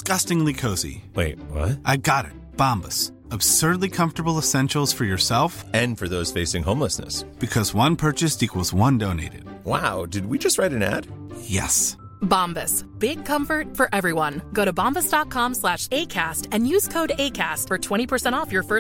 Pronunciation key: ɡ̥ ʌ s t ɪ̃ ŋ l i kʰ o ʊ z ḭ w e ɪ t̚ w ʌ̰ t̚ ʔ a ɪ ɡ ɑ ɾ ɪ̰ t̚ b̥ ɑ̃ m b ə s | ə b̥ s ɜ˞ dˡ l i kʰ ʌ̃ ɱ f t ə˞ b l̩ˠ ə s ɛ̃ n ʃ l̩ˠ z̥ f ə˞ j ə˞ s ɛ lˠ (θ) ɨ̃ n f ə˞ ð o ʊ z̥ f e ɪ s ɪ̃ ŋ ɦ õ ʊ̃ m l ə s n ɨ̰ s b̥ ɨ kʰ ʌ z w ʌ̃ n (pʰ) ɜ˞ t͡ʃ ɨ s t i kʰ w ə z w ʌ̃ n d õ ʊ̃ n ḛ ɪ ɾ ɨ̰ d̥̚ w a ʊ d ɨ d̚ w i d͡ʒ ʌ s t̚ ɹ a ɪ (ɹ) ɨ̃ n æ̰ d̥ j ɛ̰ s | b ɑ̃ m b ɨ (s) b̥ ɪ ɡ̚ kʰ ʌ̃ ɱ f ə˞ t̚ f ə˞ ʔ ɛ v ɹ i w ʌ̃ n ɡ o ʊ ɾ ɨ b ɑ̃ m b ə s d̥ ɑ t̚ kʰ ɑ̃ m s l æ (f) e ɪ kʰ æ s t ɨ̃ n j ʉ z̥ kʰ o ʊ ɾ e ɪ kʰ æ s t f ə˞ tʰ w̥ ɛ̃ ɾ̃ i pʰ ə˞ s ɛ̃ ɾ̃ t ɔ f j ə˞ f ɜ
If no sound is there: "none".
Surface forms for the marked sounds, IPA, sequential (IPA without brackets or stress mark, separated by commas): f, pʰ, ɾ, s, ʃ